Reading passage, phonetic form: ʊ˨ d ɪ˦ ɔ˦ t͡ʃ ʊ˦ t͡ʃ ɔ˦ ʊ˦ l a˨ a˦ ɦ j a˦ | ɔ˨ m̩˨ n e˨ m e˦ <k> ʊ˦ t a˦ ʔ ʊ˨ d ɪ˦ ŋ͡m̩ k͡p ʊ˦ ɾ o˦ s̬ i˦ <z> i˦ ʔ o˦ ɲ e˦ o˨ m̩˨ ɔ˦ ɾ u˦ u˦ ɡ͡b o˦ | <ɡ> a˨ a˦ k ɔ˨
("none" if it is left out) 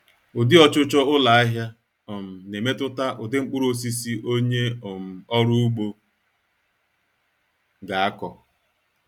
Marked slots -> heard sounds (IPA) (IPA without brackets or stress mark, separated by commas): t, s, ɡ